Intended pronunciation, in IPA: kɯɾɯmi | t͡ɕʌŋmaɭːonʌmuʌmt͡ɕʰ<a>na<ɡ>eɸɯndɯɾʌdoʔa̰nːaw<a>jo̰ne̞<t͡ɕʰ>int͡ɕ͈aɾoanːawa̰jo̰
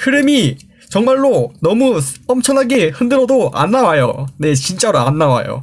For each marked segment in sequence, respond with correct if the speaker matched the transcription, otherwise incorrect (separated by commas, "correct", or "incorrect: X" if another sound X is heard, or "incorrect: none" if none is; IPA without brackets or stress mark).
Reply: incorrect: ʌ, correct, correct, incorrect: t͡ɕ